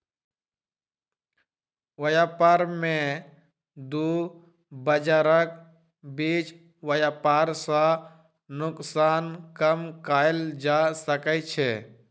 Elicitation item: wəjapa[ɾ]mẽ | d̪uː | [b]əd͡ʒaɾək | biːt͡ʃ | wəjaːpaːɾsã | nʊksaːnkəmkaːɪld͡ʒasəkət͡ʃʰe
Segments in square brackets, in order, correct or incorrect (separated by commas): correct, correct